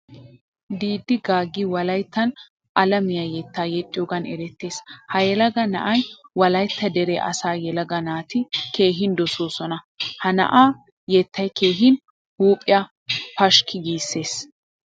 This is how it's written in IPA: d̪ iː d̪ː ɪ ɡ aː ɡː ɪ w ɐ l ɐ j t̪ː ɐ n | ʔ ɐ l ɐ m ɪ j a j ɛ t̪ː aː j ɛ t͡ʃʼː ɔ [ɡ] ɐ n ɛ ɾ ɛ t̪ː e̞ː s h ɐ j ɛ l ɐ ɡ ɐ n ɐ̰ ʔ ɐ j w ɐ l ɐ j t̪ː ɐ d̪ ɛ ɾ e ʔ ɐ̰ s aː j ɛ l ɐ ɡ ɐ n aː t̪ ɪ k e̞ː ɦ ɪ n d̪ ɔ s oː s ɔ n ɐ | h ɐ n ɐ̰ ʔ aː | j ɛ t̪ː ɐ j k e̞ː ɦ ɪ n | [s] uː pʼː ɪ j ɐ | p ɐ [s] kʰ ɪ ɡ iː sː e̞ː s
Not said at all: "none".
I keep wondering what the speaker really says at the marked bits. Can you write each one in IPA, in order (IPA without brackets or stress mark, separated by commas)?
ɡ, h, ʃ